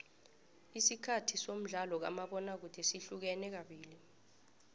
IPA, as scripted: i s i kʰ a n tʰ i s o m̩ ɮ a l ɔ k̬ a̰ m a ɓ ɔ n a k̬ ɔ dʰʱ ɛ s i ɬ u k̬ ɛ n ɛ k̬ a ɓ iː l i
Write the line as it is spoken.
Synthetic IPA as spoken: i s i kʰ a tʰ i s o m̩ ɮ a l ɔ k̬ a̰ m a ɓ ɔ n a k̬ u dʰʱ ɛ s i ɬ u k̬ ɛ n ɛ k̬ a ɓ iː l i